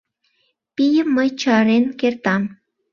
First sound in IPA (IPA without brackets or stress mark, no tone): p